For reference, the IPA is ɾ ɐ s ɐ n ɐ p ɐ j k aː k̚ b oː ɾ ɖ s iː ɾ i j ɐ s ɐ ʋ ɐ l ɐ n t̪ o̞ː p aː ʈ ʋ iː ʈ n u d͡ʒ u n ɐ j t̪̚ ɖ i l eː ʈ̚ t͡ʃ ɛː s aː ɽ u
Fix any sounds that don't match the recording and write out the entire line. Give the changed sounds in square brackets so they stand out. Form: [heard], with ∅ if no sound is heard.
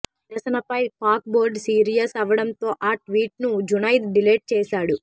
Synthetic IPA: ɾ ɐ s ɐ n ɐ p ɐ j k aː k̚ b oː ɾ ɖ s iː ɾ i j ɐ s ɐ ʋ ɐ [ɽ] ɐ n t̪ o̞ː [ʔ] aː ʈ ʋ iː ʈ n u d͡ʒ u n ɐ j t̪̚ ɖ i l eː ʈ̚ t͡ʃ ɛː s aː ɽ u